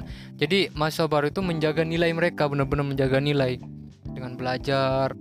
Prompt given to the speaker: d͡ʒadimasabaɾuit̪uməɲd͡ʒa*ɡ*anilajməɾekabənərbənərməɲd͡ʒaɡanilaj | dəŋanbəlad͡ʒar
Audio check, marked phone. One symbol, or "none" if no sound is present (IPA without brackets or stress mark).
ɡ